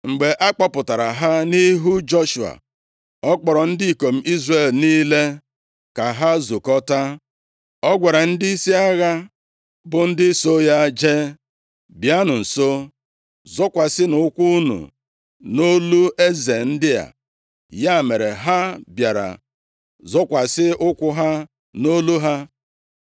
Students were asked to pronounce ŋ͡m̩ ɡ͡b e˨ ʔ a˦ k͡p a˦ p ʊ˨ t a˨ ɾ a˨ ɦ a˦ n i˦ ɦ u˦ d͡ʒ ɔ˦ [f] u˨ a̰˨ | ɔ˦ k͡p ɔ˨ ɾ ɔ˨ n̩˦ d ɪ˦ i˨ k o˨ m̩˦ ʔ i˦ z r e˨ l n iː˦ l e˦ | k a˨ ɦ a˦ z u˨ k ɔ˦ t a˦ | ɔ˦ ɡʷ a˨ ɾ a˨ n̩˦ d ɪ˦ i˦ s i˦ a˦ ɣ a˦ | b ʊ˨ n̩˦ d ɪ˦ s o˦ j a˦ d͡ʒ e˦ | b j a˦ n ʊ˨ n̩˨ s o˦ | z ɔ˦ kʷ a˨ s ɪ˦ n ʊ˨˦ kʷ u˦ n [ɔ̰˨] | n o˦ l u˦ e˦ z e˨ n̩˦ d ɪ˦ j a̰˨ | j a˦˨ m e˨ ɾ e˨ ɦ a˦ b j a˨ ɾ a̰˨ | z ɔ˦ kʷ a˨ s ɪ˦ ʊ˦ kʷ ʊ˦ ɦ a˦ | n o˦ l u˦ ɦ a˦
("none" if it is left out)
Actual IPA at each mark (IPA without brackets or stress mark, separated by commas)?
ʃ, ṵ˨